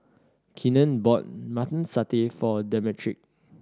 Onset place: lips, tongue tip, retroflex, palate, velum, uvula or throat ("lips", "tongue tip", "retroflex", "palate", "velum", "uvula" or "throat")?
velum